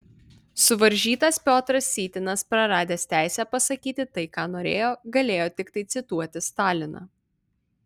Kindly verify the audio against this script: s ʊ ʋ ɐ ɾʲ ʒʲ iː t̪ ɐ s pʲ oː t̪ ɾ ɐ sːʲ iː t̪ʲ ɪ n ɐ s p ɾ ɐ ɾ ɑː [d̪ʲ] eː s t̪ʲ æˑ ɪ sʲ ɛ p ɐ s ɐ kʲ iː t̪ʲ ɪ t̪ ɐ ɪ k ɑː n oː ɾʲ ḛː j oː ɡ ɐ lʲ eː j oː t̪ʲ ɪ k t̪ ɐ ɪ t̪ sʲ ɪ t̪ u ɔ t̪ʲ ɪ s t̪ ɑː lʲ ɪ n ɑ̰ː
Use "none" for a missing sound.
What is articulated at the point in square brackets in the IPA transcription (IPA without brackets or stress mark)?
d̪ʲ